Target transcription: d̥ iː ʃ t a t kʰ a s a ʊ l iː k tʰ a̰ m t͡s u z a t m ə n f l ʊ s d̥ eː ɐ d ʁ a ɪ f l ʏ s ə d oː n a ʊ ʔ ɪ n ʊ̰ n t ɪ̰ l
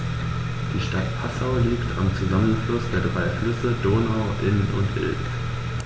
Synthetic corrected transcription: d̥ iː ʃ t a t pʰ a s a ʊ l iː k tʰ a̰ m t͡s u z a m ə n f l ʊ s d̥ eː ɐ d ʁ a ɪ f l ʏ s ə d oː n a ʊ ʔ ɪ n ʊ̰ n t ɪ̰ l